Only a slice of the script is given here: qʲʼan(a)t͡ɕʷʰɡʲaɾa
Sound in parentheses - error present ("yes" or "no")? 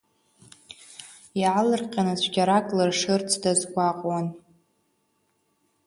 no